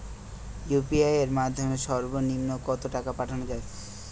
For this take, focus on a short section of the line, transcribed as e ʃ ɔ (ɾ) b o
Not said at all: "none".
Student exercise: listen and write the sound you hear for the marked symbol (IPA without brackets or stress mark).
ɾ